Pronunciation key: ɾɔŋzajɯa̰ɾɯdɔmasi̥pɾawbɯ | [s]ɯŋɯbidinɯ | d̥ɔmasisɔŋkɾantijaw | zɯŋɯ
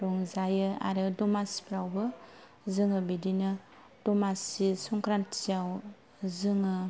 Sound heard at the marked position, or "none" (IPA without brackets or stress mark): z